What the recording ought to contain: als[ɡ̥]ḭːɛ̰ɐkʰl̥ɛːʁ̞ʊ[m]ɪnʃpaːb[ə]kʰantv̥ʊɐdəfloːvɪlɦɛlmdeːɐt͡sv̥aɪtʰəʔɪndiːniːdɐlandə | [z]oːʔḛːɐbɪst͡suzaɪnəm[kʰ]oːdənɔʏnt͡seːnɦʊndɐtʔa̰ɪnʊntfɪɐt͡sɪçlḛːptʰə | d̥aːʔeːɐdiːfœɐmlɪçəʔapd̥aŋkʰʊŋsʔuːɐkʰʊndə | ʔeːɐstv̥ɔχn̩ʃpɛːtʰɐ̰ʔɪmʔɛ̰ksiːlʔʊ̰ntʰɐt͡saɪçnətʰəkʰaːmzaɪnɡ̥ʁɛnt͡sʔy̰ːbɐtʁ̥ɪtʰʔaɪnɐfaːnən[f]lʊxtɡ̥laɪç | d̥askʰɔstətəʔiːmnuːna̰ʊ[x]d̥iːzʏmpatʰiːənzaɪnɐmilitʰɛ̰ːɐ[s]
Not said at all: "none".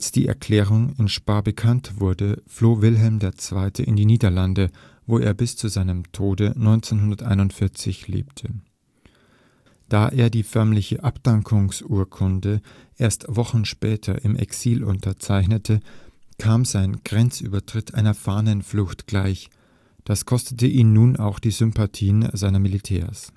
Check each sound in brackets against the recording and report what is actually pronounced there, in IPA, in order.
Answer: d̥, ŋ, ə, v, tʰ, f, x, s

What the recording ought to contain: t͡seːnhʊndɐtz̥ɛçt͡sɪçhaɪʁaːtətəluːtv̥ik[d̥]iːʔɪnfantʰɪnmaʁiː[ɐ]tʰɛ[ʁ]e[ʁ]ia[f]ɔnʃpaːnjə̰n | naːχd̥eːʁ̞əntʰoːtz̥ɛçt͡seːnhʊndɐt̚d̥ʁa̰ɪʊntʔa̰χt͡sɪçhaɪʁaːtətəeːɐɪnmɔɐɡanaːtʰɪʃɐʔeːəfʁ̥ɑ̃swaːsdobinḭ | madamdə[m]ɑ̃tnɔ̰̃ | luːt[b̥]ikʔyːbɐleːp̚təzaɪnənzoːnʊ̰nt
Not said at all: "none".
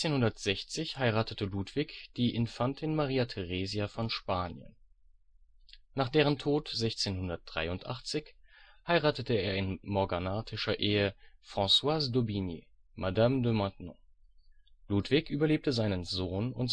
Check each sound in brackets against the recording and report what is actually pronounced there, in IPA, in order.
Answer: d̥, a, ʁ, z, f, m, v̥

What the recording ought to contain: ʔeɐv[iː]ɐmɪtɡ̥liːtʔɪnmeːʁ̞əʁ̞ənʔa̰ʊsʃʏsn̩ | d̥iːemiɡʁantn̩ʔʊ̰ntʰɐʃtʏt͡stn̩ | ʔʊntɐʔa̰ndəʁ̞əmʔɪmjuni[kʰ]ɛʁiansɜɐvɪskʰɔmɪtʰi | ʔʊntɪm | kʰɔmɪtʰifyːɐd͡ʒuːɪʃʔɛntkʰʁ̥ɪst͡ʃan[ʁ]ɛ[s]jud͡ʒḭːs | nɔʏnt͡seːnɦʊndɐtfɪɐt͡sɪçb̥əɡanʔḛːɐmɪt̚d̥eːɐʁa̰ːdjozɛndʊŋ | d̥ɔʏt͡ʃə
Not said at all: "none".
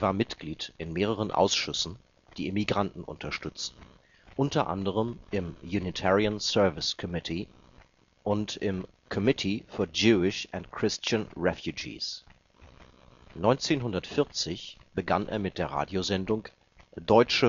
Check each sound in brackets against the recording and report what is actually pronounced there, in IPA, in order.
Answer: aː, tʰ, ʁ, f

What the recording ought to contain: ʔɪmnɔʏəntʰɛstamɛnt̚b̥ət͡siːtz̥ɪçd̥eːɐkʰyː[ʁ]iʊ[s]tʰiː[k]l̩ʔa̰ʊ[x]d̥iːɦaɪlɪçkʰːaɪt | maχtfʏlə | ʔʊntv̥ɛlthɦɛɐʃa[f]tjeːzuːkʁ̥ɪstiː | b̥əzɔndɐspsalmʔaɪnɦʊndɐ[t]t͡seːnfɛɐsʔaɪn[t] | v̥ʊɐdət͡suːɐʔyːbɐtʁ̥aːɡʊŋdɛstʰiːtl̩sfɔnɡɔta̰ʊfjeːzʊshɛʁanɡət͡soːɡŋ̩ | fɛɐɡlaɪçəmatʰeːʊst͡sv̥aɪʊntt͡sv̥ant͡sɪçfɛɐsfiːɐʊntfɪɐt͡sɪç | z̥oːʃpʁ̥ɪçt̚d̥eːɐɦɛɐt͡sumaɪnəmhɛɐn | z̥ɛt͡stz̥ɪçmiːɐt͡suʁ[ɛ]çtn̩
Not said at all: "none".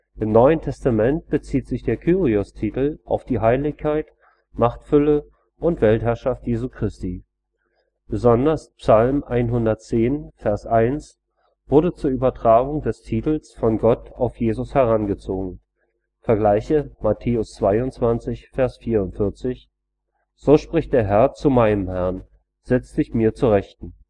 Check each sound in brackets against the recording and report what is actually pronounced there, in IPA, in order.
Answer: ʁ, s, t, f, f, t, s, ɛ

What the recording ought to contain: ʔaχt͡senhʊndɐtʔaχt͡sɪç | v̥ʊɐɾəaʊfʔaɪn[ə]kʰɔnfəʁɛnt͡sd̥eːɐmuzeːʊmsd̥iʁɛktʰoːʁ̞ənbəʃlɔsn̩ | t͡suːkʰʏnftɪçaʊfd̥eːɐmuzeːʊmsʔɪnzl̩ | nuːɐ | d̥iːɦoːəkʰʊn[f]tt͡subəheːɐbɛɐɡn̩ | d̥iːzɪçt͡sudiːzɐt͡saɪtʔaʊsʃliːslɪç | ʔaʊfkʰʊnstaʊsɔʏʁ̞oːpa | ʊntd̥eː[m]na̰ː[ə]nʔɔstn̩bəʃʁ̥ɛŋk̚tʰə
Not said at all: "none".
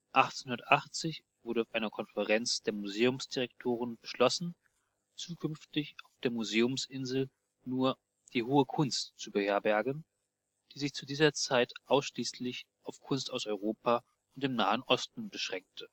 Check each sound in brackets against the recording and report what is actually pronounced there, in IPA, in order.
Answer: ɐ, s, m, ə

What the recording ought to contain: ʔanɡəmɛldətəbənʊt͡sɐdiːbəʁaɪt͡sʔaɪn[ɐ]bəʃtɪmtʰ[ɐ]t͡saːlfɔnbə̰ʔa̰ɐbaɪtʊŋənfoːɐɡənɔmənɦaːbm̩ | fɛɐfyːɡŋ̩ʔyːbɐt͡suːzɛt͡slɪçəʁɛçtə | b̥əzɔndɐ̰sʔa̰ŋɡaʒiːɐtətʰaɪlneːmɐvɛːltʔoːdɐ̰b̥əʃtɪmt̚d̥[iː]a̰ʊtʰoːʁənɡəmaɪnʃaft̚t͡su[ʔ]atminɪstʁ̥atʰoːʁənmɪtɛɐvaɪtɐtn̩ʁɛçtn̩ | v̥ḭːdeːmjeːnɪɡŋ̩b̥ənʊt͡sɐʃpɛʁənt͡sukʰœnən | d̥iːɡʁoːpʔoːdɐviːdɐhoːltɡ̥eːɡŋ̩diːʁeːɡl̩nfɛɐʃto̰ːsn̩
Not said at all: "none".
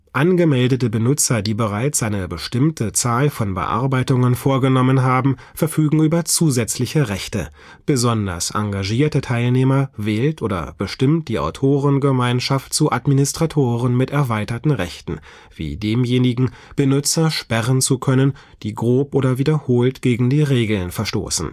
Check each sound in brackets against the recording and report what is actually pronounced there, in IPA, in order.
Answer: ə, ə, iː, ʔ

